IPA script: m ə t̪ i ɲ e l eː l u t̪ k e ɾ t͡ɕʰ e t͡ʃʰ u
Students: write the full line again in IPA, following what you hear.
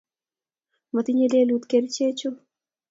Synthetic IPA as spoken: m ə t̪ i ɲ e l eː l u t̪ k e ɾ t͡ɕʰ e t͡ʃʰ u

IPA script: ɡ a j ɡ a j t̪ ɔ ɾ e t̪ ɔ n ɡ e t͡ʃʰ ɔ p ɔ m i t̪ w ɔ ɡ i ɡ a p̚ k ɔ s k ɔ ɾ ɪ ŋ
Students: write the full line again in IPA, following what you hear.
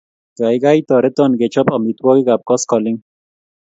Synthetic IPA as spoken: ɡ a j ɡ a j t̪ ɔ ɾ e t̪ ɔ n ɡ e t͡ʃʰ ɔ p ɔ m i t̪ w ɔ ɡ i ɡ a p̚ k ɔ s k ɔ l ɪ ŋ

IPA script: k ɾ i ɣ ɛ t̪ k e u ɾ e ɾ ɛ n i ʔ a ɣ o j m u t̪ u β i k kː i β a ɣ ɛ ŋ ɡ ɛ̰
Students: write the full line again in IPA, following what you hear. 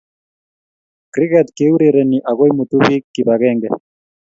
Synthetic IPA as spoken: k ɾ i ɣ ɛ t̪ k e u ɾ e ɾ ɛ n i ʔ a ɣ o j m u t̪ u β i k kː i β a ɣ ɛ ŋ ɡ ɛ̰

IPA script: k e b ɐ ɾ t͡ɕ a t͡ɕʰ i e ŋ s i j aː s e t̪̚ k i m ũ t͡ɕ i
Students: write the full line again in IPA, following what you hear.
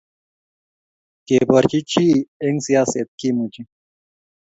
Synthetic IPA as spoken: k e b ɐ ɾ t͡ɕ i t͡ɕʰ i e ŋ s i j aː s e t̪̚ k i m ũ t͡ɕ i

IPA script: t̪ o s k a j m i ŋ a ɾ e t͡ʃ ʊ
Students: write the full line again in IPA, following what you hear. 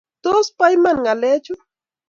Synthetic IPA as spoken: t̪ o s p a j m a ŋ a l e t͡ʃ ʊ

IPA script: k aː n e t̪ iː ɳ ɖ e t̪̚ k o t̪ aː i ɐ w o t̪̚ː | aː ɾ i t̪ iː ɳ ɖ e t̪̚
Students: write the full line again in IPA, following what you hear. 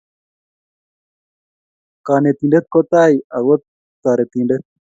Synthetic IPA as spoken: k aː n e t̪ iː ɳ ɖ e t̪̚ k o t̪ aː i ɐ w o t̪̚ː | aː ɾ e t̪ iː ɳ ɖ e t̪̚

